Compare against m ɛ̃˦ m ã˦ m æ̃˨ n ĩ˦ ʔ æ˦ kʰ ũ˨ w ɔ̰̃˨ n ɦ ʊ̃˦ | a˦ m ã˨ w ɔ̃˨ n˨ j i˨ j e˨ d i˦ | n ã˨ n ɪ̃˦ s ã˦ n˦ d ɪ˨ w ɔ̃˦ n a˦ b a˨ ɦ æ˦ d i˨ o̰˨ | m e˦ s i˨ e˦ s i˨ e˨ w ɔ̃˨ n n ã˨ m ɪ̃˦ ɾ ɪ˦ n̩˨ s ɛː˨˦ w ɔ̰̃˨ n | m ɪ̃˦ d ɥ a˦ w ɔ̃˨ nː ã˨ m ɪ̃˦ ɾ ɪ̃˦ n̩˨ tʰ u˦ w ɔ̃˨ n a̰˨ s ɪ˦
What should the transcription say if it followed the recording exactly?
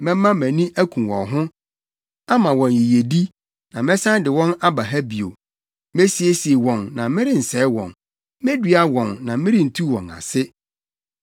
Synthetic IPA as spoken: m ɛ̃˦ m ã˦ m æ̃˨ n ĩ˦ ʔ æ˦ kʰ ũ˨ w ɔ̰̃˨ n ɦ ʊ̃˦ | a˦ m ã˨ w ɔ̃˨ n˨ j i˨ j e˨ d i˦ | n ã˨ m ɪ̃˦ s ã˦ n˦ d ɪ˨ w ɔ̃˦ n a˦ b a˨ ɦ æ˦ b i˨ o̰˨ | m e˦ s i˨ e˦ s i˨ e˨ w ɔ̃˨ n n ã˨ m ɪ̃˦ ɾ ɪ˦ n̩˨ s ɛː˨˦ w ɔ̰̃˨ n | m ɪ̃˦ d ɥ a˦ w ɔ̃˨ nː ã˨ m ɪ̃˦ ɾ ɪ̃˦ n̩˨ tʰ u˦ w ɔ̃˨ n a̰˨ s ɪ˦